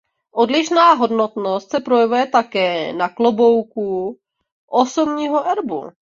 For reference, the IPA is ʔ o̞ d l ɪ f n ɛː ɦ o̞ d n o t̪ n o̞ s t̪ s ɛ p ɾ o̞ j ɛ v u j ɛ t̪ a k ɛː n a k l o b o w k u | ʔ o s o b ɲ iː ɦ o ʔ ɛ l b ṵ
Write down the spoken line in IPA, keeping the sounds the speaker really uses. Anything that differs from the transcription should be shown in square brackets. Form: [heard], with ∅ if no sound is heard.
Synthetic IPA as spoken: ʔ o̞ d l ɪ [ʃ] n [aː] ɦ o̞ d n o t̪ n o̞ s t̪ s ɛ p ɾ o̞ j ɛ v u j ɛ t̪ a k ɛː n a k l o b o w k u | ʔ o s o b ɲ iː ɦ o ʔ ɛ [ɾ] b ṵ